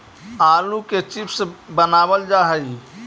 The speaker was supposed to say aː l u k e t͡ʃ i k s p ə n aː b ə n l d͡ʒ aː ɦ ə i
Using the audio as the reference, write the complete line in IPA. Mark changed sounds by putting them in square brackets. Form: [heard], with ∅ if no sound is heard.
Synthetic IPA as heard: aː l u k e t͡ʃ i [p] s [b] ə n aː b ə [∅] l d͡ʒ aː ɦ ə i